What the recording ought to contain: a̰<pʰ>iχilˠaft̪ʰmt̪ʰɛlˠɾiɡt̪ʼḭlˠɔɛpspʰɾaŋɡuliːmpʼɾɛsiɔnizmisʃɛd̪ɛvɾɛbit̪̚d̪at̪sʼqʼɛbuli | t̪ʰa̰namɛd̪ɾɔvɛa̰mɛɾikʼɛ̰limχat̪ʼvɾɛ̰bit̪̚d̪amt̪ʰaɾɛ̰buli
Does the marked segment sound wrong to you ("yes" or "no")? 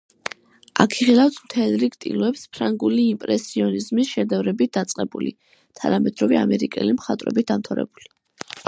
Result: yes